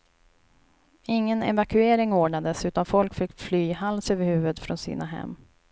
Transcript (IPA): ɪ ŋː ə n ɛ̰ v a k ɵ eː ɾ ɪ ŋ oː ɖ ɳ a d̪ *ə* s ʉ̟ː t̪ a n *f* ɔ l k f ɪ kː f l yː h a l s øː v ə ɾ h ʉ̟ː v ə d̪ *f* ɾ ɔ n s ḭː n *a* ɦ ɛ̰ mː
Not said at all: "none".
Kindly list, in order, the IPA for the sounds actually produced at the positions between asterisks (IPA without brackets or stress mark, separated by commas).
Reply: ə, f, f, a